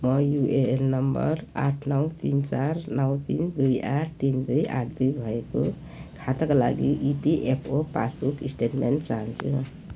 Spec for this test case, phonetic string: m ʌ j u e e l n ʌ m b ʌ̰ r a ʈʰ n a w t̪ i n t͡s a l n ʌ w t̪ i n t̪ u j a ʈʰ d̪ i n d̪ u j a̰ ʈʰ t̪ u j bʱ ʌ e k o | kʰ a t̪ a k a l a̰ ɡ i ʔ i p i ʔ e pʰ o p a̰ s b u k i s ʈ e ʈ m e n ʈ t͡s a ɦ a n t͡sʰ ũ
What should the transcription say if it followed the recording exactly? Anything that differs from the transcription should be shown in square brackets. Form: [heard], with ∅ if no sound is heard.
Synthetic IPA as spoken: m ʌ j u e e l n ʌ m b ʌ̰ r a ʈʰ n [ʌ] w t̪ i n t͡s a [r] n ʌ w t̪ i n [d̪] u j a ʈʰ [t̪] i n d̪ u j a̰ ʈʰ [d̪] u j bʱ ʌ e k o | kʰ a t̪ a k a l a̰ ɡ i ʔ i p i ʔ e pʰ o p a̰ s b u k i s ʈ e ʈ m e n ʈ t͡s a ɦ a n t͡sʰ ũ